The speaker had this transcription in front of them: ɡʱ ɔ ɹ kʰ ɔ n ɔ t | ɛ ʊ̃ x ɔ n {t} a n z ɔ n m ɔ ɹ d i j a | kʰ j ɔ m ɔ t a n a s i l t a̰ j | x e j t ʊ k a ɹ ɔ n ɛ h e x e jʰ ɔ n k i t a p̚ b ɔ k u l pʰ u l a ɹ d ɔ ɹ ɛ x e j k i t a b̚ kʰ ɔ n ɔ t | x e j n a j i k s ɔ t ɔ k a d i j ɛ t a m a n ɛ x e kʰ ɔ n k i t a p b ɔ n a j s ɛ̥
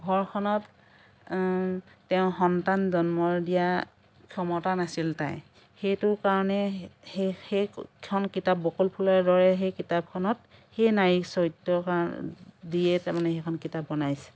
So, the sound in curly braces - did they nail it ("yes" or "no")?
yes